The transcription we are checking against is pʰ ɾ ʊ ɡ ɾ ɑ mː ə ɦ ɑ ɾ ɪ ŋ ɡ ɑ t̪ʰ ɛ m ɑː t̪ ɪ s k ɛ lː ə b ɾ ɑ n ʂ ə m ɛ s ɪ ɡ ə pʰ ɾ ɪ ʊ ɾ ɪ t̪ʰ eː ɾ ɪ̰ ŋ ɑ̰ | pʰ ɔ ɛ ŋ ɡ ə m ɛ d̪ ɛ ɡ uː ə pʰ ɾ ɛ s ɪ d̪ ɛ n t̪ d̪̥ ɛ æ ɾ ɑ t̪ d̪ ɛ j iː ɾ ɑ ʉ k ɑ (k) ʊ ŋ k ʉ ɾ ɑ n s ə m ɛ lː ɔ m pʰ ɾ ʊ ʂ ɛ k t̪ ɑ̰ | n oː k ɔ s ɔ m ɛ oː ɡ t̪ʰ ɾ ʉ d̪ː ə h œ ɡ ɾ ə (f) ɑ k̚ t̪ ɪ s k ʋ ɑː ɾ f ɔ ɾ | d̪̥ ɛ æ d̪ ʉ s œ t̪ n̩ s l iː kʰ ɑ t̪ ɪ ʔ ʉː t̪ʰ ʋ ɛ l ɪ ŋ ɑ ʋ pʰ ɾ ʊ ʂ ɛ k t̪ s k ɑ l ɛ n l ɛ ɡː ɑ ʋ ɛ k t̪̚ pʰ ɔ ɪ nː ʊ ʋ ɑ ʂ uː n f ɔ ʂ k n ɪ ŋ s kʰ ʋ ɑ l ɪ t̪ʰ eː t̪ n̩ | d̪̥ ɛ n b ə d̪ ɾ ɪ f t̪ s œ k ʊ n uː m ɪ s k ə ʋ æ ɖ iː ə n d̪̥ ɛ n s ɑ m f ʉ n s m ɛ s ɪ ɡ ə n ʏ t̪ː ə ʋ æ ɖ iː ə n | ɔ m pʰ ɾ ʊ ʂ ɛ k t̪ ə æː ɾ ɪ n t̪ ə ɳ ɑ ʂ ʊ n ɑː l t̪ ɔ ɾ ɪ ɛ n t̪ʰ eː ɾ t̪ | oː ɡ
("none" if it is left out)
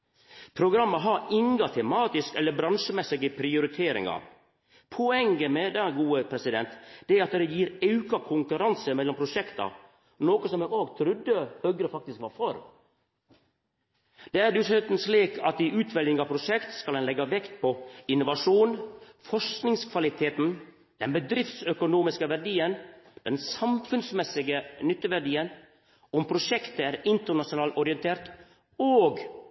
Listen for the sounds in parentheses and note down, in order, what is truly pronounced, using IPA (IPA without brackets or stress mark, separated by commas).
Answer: kʰ, f